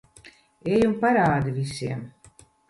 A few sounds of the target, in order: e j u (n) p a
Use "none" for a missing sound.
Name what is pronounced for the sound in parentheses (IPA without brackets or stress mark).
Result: m